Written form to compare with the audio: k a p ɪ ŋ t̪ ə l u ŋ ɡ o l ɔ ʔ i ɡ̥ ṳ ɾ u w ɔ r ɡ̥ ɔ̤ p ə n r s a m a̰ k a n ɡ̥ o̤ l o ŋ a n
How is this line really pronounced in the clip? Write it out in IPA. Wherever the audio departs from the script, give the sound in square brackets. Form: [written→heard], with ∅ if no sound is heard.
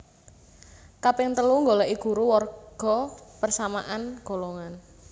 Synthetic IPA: k a p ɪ ŋ t̪ ə l u ŋ ɡ o l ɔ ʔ i ɡ̥ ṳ ɾ u w ɔ r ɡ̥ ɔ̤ p ə [n→∅] r s a m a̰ [k→ʔ] a n ɡ̥ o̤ l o ŋ a n